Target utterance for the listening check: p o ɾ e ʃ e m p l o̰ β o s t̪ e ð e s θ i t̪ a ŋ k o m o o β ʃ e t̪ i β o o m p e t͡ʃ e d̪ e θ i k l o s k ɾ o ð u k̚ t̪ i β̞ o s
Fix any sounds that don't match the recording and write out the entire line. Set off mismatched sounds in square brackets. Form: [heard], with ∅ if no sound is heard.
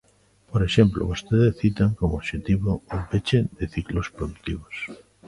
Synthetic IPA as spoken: p o ɾ e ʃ e m p l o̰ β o s t̪ e ð e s θ i t̪ a ŋ k o m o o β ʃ e t̪ i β o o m p e t͡ʃ e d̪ e θ i k l o s [p] ɾ o ð u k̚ t̪ i β̞ o s